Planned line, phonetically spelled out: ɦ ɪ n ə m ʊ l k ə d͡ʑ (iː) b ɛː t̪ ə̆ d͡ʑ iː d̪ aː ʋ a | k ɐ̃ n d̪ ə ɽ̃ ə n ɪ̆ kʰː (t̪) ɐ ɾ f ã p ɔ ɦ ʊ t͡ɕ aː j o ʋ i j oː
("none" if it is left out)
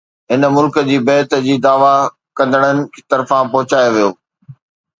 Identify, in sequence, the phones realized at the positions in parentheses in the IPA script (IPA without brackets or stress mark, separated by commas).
iː, t̪